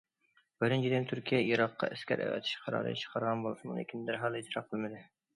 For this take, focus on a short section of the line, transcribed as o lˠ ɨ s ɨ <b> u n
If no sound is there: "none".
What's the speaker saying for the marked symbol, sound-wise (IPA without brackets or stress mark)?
m